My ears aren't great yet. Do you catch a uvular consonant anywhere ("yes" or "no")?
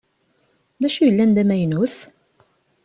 no